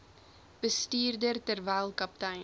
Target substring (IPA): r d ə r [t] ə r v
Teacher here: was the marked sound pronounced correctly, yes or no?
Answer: yes